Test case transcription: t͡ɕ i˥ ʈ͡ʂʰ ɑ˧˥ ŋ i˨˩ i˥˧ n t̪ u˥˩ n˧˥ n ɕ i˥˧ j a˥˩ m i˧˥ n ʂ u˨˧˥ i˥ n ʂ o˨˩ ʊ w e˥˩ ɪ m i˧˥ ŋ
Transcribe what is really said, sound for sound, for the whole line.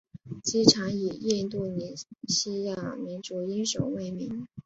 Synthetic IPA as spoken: t͡ɕ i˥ ʈ͡ʂʰ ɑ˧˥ ŋ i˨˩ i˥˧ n t̪ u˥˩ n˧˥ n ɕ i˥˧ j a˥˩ m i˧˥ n ʈ͡ʂ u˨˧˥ i˥ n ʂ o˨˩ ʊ w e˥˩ ɪ m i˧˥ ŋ

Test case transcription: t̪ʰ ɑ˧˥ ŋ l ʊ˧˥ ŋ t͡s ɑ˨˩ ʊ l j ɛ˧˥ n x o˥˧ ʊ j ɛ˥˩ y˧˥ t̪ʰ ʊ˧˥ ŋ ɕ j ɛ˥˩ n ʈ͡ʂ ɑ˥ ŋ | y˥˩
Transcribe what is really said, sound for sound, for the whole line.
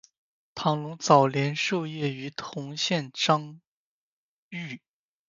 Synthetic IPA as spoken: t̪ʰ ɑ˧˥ ŋ l ʊ˧˥ ŋ t͡s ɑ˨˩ ʊ l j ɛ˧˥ n ʂ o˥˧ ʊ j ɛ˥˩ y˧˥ t̪ʰ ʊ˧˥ ŋ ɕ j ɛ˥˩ n ʈ͡ʂ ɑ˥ ŋ | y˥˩

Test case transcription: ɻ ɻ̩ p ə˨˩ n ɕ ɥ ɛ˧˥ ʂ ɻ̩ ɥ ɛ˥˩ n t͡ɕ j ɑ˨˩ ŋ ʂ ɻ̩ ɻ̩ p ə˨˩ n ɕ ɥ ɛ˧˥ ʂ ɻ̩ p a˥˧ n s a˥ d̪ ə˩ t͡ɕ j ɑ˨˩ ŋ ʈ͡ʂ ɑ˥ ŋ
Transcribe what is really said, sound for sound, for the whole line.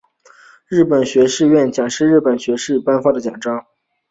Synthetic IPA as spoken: ɻ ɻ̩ p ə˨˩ n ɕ ɥ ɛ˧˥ ʂ ɻ̩ ɥ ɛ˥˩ n t͡ɕ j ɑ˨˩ ŋ ʂ ɻ̩ ɻ̩ p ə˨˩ n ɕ ɥ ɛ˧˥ ʂ ɻ̩ p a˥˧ n f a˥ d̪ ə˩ t͡ɕ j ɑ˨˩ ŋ ʈ͡ʂ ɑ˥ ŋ

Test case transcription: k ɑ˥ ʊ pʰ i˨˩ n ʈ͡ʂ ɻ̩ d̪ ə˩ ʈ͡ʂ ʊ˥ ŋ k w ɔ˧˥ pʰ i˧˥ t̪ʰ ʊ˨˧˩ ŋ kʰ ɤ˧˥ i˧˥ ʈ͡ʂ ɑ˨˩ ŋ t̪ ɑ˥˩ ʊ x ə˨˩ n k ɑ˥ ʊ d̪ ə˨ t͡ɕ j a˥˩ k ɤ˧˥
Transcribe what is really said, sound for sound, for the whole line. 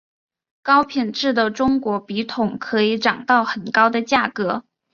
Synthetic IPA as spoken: k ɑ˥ ʊ pʰ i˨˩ n ʈ͡ʂ ɻ̩ d̪ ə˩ ʈ͡ʂ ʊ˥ ŋ k w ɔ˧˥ p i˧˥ t̪ʰ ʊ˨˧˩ ŋ kʰ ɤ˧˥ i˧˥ ʈ͡ʂ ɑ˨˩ ŋ t̪ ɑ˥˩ ʊ x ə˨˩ n k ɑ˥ ʊ d̪ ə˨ t͡ɕ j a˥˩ k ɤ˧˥

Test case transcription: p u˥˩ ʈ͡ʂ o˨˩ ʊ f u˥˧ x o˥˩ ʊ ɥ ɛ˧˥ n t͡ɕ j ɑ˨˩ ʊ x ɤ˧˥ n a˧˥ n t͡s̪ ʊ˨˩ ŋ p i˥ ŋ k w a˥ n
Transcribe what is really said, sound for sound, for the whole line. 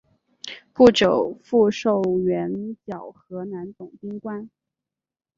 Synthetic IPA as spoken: p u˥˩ ʈ͡ʂ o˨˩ ʊ f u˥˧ ʂ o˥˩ ʊ ɥ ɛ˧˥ n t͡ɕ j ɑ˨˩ ʊ x ɤ˧˥ n a˧˥ n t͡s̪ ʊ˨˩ ŋ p i˥ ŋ k w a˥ n

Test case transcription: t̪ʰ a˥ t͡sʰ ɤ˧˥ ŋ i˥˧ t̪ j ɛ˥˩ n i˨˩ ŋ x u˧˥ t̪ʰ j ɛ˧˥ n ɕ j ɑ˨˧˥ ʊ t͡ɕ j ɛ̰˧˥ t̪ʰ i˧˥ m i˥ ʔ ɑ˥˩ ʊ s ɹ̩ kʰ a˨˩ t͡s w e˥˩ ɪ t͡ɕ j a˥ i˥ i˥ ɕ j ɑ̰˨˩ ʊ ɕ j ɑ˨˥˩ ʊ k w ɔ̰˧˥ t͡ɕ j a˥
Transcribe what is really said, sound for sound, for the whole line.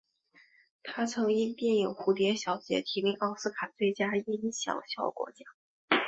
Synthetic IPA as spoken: t̪ʰ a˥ t͡sʰ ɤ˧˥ ŋ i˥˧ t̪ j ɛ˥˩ n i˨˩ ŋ x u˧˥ t̪ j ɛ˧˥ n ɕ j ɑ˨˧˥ ʊ t͡ɕ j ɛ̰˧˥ t̪ʰ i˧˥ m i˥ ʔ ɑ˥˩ ʊ s ɹ̩ kʰ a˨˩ t͡s w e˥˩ ɪ t͡ɕ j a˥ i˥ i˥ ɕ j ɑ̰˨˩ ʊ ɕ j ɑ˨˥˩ ʊ k w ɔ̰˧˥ t͡ɕ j a˥

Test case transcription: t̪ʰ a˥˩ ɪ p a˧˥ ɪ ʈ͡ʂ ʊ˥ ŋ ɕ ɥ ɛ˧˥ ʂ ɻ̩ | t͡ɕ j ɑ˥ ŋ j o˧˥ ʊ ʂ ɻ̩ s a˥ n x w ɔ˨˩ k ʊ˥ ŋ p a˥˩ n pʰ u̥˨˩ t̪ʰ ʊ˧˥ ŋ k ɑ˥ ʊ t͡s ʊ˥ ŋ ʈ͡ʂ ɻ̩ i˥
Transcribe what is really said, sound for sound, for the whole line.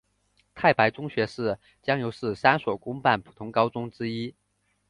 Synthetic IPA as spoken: t̪ʰ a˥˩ ɪ p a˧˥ ɪ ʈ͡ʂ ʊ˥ ŋ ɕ ɥ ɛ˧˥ ʂ ɻ̩ | t͡ɕ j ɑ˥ ŋ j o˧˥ ʊ ʂ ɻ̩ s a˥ n s w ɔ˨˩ k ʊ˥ ŋ p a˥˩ n pʰ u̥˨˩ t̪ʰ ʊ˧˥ ŋ k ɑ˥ ʊ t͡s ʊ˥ ŋ ʈ͡ʂ ɻ̩ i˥

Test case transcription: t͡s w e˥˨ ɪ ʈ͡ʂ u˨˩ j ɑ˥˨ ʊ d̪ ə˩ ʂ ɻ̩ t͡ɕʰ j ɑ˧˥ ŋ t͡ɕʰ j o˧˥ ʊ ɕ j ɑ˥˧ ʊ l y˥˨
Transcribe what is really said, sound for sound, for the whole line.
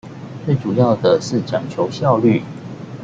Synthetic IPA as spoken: t͡s w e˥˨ ɪ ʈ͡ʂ u˨˩ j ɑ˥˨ ʊ d̪ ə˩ ʂ ɻ̩ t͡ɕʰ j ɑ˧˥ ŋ t͡ɕʰ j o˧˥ ʊ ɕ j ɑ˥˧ ʊ l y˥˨

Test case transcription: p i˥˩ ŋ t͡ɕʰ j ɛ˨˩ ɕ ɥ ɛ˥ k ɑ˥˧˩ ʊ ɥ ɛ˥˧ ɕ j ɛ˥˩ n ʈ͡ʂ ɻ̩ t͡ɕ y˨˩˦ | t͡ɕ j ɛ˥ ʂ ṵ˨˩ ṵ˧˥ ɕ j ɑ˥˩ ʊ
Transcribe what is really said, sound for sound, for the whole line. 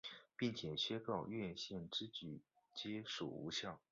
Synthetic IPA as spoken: p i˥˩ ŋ t͡ɕʰ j ɛ˨˩ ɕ ɥ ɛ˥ k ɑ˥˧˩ ʊ ɥ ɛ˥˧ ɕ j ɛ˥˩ n ʈ͡ʂ ɻ̩ t͡ɕ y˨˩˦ | t͡ɕ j ɛ˥ ʂ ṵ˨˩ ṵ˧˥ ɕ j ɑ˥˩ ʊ

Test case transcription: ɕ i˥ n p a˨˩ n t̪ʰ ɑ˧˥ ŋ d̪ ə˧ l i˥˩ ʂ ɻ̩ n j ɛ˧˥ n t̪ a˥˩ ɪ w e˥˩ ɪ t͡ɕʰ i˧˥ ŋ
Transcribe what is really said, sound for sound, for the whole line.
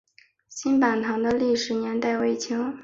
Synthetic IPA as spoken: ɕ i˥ n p a˨˩ n t̪ʰ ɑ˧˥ ŋ d̪ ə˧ l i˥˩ ʂ ɻ̩ n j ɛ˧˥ n t̪ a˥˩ ɪ w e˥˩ ɪ t͡ɕʰ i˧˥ ŋ

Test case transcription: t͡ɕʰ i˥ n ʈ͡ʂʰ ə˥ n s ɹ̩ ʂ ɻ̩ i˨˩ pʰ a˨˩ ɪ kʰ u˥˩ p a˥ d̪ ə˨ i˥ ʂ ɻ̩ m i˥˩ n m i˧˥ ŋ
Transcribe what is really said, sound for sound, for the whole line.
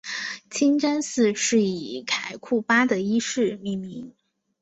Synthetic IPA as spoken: t͡ɕʰ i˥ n ʈ͡ʂ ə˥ n s ɹ̩ ʂ ɻ̩ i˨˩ kʰ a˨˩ ɪ kʰ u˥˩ p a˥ d̪ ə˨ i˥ ʂ ɻ̩ m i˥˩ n m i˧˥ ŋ

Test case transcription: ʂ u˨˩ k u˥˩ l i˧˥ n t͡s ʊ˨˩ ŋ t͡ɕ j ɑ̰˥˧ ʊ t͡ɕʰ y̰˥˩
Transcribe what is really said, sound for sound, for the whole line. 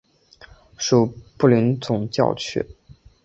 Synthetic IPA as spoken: ʂ u˨˩ p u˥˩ l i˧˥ n t͡s ʊ˨˩ ŋ t͡ɕ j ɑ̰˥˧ ʊ t͡ɕʰ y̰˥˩

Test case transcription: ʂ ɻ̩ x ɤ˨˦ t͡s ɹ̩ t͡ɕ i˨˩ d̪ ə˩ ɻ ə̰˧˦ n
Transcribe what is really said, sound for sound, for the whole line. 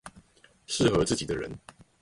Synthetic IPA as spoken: ʂ ɻ̩ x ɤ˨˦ t͡s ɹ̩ t͡ɕ i˨˩ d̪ ə˦ ɻ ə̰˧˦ n

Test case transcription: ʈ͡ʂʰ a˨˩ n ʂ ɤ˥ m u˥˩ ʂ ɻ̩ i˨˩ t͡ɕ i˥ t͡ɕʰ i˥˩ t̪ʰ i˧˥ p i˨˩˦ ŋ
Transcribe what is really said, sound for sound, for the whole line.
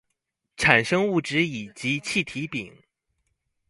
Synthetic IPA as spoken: ʈ͡ʂʰ a˨˩ n ʂ ɤ˥ ŋ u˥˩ ʈ͡ʂ ɻ̩ i˨˩ t͡ɕ i˧˥ t͡ɕʰ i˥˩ t̪ʰ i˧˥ p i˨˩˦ ŋ

